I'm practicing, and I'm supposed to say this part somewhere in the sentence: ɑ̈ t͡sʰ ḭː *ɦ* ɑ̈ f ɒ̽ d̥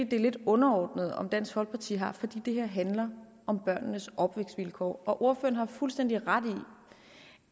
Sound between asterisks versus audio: correct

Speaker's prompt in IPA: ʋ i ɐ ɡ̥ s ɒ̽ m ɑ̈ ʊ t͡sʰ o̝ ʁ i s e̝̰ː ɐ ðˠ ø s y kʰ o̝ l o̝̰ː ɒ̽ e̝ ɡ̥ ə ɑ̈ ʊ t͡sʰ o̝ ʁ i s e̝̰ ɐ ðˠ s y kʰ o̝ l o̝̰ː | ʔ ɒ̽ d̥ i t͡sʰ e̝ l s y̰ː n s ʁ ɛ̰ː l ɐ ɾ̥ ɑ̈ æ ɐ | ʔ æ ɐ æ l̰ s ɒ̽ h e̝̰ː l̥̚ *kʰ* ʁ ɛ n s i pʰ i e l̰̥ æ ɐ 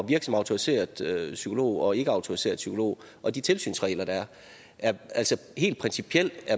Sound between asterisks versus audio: incorrect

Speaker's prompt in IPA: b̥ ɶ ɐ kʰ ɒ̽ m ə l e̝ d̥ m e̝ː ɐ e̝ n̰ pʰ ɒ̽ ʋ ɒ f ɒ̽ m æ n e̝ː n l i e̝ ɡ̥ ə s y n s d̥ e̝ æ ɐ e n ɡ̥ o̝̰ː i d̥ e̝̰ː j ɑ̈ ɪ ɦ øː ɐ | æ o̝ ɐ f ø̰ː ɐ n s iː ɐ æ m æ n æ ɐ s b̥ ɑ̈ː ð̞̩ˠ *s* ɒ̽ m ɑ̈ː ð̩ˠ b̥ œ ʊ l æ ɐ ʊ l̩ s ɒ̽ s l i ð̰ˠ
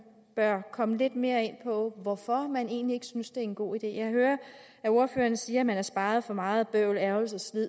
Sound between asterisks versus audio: incorrect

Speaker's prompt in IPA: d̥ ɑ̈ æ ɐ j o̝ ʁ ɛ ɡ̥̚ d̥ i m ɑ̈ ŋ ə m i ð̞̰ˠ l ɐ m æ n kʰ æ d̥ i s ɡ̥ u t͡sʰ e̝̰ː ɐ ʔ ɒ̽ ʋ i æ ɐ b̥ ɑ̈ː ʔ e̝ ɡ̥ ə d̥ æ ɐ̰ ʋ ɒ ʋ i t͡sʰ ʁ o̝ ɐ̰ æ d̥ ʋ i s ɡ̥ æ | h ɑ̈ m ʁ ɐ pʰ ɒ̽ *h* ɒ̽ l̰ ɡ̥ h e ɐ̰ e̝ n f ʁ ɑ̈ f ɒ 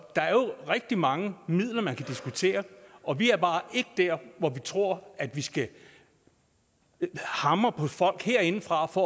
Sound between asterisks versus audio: incorrect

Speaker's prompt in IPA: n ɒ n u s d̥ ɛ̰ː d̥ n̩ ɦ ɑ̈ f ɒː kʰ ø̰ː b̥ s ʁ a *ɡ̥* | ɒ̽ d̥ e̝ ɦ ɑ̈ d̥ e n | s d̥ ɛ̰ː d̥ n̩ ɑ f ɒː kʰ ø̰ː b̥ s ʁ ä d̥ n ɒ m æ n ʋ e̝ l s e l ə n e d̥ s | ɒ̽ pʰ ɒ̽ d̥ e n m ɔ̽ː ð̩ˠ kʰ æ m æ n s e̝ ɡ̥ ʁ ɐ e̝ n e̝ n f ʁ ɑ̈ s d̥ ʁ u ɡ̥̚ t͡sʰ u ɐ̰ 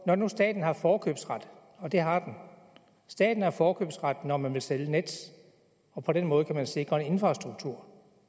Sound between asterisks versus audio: incorrect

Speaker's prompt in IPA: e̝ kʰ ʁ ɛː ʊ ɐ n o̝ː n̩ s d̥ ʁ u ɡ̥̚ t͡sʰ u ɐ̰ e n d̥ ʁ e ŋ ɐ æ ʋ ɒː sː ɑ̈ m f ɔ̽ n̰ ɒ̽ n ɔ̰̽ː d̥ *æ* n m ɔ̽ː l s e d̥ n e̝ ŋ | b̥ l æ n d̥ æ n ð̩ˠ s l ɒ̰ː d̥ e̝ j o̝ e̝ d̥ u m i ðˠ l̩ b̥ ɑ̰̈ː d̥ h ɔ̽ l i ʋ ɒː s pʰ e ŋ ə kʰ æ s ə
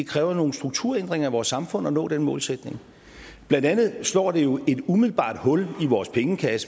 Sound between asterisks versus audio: incorrect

